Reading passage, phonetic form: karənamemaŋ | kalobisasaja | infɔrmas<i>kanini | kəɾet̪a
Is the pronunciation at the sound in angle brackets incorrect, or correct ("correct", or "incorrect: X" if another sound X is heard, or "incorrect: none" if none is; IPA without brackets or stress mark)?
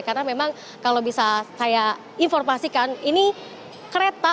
correct